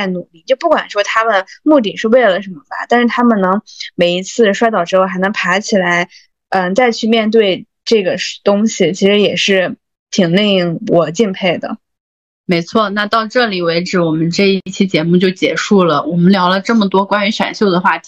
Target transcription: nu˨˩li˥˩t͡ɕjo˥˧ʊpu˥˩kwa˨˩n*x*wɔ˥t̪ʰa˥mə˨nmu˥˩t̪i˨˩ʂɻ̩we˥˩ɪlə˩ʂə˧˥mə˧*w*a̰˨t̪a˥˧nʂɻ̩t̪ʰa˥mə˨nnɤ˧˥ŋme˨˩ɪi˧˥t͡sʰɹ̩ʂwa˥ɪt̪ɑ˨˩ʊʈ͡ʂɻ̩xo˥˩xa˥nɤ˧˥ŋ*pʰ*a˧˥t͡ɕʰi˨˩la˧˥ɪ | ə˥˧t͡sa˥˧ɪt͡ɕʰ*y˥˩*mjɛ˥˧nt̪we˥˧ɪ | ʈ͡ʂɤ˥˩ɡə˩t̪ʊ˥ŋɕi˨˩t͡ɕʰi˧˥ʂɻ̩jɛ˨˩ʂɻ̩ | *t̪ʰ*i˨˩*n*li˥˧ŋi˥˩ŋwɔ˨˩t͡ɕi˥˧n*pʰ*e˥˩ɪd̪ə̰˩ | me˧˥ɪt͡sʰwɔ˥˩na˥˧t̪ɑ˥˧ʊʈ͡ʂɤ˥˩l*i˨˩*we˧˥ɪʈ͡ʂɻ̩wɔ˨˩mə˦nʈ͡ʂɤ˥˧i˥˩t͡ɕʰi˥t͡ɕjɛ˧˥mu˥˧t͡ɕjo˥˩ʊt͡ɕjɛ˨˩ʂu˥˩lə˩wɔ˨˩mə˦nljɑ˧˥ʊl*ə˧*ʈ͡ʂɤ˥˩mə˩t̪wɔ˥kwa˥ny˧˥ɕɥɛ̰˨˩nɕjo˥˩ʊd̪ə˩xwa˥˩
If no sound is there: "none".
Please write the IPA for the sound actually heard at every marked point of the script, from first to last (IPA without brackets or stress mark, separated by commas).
ʂ, b, pʰ, y˥˧, t̪ʰ, ŋ, pʰ, i˨˩, ə˧